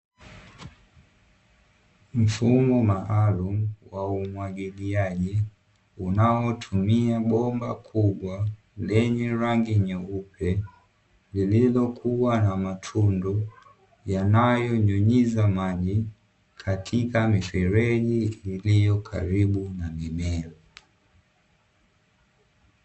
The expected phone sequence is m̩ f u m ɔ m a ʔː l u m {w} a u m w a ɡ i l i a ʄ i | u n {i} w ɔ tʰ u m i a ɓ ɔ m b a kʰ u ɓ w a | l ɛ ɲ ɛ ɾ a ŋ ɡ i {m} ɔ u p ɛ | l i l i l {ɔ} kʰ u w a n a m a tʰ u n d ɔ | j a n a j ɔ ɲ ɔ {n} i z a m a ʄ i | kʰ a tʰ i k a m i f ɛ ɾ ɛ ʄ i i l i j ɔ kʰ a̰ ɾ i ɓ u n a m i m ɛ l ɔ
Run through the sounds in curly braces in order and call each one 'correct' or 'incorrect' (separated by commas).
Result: correct, incorrect, incorrect, correct, incorrect